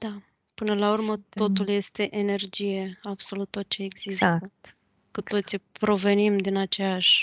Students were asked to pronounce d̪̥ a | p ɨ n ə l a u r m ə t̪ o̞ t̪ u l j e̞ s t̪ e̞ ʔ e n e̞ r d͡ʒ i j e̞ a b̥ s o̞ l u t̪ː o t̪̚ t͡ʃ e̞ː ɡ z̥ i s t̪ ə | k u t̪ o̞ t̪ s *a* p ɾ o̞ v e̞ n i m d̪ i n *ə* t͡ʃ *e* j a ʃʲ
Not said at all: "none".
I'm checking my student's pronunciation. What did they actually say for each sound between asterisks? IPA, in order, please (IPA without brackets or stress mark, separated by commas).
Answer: i, a, e